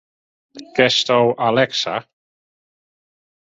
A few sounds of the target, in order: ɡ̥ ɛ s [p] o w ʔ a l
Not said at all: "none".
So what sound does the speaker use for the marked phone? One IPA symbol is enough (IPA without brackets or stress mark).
t